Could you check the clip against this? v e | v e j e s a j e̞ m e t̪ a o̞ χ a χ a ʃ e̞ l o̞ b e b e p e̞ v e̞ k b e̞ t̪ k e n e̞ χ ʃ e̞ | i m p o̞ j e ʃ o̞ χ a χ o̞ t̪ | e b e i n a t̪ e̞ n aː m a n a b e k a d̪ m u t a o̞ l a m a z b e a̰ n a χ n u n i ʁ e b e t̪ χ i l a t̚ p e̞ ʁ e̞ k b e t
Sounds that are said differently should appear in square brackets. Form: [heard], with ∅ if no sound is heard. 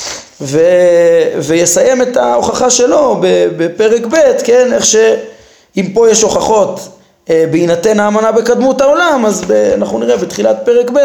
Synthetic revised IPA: v e | v e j e s a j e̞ m e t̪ a o̞ χ a χ a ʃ e̞ l o̞ b e b e p e̞ [ʁ] e̞ k b e̞ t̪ k e n e̞ χ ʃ e̞ | i m p o̞ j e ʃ o̞ χ a χ o̞ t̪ | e b e i n a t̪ e̞ n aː m a n a b e k a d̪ m u t a o̞ l a m a z b e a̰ n a χ n u n i ʁ e b e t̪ χ i l a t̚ p e̞ ʁ e̞ k b e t